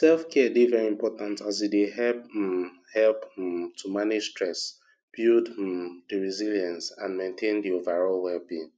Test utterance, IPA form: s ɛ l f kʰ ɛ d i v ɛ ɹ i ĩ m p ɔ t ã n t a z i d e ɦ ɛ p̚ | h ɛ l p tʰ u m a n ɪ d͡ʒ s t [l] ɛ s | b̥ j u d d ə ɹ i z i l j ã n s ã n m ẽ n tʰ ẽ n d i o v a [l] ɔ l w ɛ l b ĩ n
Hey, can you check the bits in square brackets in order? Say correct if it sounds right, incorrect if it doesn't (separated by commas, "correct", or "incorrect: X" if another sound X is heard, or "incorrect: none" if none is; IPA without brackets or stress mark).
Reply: incorrect: ɹ, incorrect: ɹ